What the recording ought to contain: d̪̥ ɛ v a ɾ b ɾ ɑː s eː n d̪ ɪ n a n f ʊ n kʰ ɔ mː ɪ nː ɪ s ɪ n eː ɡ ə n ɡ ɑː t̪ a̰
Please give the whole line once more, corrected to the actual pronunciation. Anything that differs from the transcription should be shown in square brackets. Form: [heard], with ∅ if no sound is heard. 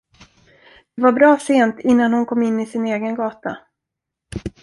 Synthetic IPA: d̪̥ ɛ v a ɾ b ɾ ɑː s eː n [t̪] ɪ [nː] a n [h] ʊ n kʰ ɔ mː ɪ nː ɪ s ɪ n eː ɡ ə n ɡ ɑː t̪ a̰

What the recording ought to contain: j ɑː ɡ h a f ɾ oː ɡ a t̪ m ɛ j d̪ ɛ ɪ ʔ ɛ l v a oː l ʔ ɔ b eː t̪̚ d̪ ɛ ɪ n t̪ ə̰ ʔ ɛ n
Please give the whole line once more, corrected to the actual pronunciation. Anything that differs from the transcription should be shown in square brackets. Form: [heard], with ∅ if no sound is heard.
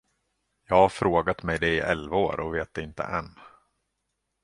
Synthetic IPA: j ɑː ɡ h a f ɾ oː ɡ a t̪ m ɛ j d̪ ɛ ɪ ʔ ɛ l v a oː [ɾ] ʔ ɔ [v] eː t̪̚ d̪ ɛ ɪ n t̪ ə̰ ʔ ɛ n

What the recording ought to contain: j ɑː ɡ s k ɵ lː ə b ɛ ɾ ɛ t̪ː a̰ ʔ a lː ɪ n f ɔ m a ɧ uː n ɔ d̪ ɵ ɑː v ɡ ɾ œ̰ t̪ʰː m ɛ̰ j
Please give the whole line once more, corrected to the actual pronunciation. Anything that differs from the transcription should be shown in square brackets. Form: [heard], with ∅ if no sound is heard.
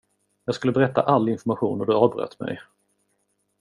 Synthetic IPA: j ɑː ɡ s k ɵ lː ə b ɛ ɾ ɛ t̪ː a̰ ʔ a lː ɪ n f ɔ m a ɧ uː n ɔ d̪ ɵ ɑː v [b] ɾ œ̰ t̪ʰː m ɛ̰ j

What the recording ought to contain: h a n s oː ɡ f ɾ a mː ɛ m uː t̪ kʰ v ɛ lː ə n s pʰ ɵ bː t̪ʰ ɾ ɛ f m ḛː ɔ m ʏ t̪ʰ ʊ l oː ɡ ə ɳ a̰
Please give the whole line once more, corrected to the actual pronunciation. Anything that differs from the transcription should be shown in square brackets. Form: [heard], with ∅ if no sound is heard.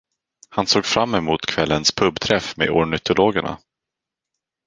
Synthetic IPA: h a n s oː ɡ f ɾ a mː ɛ m uː t̪ kʰ v ɛ lː ə n s pʰ ɵ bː t̪ʰ ɾ ɛ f m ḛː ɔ [ɳ] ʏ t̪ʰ ʊ l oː ɡ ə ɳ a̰

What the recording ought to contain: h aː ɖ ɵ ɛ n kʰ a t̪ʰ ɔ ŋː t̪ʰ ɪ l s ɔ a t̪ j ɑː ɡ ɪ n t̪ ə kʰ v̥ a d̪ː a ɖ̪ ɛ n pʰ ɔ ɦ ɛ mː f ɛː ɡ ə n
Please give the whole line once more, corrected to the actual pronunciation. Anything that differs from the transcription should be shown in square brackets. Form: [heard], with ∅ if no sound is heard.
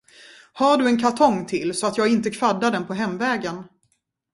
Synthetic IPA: h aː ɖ ɵ ɛ n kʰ a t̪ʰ ɔ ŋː t̪ʰ ɪ l s ɔ a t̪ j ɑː ɡ ɪ n t̪ ə kʰ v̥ a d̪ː a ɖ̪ ɛ n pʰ ɔ ɦ ɛ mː [v] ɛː ɡ ə n

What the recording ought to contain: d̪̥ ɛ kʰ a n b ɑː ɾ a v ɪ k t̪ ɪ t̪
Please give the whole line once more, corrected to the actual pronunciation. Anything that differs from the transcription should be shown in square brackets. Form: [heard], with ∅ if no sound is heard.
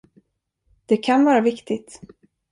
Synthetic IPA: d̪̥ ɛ kʰ a n [v] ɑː ɾ a v ɪ k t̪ ɪ t̪

